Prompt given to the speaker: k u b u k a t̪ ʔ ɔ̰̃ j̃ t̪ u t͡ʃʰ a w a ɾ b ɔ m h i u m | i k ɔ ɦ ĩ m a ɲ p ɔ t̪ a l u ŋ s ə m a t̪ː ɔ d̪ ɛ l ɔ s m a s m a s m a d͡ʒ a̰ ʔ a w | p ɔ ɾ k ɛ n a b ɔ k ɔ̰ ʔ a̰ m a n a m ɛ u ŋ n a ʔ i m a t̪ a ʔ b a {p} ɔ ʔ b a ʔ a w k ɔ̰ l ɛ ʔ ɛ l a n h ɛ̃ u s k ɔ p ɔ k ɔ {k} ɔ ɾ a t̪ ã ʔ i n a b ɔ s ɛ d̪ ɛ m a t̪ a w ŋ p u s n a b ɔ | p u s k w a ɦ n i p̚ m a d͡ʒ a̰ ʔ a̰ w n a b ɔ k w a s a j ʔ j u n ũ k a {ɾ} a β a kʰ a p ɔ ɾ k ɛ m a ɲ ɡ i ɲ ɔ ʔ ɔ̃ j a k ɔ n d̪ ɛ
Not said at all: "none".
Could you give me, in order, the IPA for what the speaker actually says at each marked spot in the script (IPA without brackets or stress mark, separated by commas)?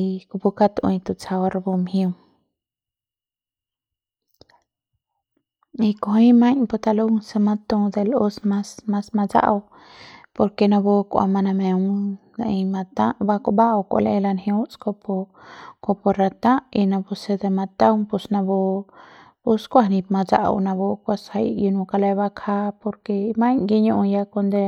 k, p, l